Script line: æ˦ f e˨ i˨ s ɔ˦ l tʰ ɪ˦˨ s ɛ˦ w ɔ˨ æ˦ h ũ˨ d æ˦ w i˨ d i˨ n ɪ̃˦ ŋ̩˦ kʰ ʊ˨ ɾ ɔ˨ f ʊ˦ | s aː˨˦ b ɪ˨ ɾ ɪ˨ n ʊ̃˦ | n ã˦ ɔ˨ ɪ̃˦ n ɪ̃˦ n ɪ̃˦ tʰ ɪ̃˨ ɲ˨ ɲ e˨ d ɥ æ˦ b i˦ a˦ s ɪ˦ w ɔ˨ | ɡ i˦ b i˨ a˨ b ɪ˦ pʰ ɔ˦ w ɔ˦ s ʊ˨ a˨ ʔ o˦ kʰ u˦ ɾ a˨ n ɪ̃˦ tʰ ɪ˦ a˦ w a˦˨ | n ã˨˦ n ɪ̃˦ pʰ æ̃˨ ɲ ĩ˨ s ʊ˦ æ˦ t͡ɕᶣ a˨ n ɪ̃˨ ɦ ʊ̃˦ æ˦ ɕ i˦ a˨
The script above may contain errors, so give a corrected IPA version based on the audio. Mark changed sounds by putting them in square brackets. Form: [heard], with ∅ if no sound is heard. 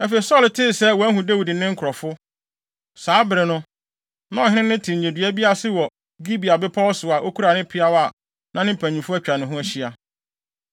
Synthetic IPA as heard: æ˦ f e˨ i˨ s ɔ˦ l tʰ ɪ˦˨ s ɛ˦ w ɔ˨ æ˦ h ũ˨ d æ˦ w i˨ d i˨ n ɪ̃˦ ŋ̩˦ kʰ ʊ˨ ɾ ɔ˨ f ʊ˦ | s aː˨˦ b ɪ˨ ɾ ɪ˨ n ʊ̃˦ | n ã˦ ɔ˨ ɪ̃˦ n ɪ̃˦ n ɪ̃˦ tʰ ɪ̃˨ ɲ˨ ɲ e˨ d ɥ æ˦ b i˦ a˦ s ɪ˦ w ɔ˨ | ɡ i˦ b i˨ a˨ b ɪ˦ pʰ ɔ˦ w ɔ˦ s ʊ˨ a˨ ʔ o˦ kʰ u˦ ɾ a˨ n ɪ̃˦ [pʰ] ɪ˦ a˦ w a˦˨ | n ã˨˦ n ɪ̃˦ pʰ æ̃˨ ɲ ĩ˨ [f] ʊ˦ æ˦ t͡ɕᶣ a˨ n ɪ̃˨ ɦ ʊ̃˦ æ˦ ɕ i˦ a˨